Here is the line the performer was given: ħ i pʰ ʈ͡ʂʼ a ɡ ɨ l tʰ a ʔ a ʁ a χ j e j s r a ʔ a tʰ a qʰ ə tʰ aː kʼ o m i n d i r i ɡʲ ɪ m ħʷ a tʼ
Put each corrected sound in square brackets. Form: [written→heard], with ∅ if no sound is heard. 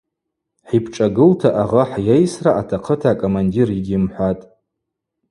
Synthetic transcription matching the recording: ħ i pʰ ʈ͡ʂʼ a ɡ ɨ l tʰ a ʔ a ʁ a [χ→ħ] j e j s r a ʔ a tʰ a qʰ ə tʰ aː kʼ o m [i→a] n d i r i ɡʲ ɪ m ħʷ a tʼ